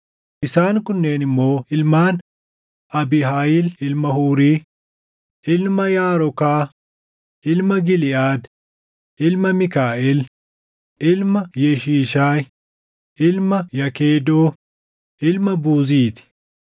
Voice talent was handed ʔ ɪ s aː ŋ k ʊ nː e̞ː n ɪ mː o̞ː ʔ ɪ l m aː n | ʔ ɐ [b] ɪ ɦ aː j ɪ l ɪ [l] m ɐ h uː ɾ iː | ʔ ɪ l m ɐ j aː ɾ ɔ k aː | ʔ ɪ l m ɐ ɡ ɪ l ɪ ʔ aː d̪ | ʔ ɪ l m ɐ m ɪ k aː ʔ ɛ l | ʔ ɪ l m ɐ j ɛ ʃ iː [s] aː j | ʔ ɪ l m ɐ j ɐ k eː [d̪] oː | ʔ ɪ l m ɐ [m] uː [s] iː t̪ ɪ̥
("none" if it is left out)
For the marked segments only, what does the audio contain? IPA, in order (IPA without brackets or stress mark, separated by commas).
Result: b, l, ʃ, d̪, b, z